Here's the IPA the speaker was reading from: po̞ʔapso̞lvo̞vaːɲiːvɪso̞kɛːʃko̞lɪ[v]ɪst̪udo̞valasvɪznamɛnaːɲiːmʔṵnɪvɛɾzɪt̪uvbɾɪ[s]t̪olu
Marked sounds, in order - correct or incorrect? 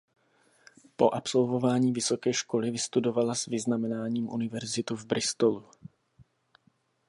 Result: correct, correct

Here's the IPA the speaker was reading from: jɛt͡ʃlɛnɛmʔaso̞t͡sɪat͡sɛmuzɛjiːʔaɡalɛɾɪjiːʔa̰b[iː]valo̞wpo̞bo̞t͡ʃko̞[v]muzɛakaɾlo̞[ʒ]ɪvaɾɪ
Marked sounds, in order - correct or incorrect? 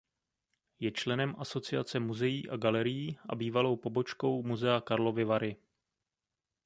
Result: correct, incorrect, incorrect

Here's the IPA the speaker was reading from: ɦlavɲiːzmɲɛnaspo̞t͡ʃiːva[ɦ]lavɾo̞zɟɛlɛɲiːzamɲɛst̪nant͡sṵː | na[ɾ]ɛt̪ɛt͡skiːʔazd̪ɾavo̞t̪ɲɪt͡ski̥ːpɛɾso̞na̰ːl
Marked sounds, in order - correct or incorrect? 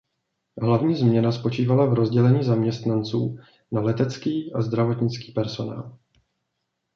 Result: incorrect, incorrect

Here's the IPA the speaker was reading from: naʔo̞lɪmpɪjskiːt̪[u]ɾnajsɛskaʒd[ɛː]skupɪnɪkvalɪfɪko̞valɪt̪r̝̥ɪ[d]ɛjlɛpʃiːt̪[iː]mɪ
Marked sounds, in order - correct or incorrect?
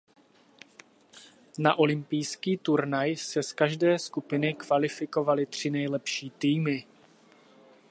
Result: correct, correct, incorrect, correct

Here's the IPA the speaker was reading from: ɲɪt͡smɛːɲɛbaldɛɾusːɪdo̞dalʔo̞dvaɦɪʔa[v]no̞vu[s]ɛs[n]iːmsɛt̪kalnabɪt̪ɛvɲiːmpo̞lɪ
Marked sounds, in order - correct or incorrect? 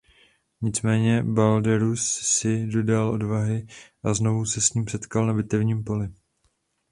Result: incorrect, correct, incorrect

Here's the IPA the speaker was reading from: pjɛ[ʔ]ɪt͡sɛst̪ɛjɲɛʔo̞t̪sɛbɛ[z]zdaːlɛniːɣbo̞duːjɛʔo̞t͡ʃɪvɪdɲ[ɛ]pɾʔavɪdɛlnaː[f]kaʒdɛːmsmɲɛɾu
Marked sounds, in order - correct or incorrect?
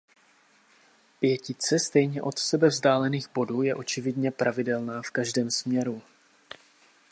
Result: incorrect, incorrect, correct, correct

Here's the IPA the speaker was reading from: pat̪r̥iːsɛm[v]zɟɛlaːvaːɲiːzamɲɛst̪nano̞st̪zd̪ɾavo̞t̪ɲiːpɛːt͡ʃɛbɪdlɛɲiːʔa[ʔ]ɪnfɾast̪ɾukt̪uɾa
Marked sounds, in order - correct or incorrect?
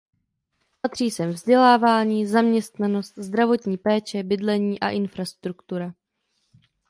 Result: correct, correct

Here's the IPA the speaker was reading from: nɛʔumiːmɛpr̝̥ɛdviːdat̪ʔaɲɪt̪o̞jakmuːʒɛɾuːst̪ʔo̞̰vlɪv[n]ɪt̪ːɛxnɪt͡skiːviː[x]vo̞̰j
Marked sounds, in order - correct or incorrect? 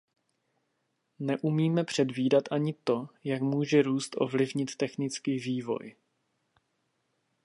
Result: incorrect, incorrect

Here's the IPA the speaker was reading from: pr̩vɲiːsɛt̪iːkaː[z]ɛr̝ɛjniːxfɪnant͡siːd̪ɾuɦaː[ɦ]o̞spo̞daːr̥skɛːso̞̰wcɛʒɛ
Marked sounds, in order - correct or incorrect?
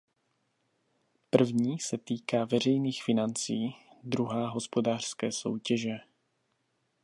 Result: incorrect, correct

